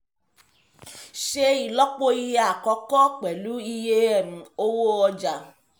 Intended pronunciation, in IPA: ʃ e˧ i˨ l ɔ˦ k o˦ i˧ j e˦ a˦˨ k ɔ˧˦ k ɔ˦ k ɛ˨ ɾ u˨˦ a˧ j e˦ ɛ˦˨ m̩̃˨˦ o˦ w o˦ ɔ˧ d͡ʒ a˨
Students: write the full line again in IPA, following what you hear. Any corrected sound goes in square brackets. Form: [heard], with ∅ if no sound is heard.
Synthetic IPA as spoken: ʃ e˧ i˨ l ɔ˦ [k͡p] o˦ i˧ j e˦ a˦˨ k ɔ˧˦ k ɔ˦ [k͡p] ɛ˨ [l] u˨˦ [i˧] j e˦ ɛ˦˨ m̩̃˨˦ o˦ w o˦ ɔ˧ d͡ʒ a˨